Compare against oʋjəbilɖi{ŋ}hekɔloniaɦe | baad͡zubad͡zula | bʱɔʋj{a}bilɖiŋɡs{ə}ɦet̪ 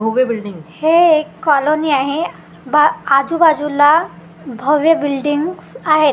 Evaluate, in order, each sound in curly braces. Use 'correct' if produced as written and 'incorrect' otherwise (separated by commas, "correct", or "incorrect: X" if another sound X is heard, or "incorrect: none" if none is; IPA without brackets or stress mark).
correct, incorrect: ə, incorrect: a